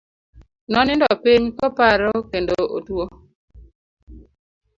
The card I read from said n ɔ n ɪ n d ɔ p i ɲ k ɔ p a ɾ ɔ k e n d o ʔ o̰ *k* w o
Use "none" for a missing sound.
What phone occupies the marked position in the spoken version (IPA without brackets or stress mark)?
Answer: t